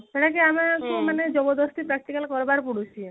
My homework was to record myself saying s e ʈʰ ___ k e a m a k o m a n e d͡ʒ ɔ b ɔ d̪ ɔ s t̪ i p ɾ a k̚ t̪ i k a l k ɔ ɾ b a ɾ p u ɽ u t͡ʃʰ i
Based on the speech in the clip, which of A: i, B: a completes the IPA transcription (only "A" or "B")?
B